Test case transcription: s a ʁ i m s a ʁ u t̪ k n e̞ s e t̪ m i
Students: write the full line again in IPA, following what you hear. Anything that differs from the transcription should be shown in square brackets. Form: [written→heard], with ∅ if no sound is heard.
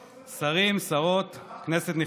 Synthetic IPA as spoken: s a ʁ i m s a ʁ [u→o] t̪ k n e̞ s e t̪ [m→n] i